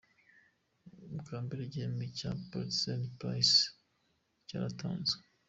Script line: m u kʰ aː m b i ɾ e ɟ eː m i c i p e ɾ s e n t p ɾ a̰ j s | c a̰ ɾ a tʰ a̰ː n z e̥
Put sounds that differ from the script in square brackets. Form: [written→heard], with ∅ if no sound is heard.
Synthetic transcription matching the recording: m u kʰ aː m b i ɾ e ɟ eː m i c [i→a] p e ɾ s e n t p ɾ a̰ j s | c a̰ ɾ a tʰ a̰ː n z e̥